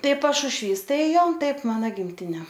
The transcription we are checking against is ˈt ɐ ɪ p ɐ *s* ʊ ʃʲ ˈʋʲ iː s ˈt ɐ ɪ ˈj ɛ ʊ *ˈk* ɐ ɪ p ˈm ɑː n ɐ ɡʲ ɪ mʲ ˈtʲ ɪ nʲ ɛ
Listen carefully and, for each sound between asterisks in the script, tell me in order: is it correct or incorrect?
incorrect, incorrect

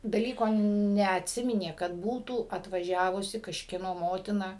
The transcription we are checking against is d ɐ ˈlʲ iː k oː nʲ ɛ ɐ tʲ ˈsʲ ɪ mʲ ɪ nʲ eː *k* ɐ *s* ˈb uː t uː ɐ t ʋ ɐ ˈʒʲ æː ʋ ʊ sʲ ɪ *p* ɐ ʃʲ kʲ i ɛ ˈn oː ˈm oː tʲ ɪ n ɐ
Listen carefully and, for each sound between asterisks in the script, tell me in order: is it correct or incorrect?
correct, incorrect, incorrect

